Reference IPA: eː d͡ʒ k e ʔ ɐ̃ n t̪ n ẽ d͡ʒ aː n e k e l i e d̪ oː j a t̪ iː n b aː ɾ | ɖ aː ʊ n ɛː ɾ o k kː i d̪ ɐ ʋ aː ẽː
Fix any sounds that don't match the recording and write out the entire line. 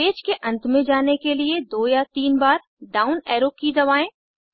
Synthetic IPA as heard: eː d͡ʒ k e ʔ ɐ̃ n t̪ m ẽ d͡ʒ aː n e k e l i e d̪ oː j a t̪ iː n b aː ɾ | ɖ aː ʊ n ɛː ɾ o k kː i d̪ ɐ ʋ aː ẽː